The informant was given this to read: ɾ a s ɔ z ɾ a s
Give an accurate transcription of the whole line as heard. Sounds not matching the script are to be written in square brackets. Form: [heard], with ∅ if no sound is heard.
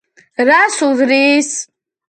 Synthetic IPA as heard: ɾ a s [u] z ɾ [i] s